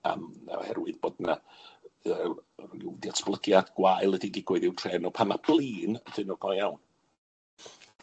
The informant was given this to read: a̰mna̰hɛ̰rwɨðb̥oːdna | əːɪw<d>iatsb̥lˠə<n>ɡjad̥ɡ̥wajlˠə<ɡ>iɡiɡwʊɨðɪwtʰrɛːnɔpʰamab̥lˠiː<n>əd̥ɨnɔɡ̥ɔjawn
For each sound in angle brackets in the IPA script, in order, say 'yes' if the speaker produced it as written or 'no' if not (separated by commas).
yes, no, no, yes